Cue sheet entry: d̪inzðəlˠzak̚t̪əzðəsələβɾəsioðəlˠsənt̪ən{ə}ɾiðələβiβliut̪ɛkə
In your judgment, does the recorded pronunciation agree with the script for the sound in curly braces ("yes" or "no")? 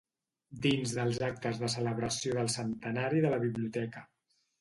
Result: no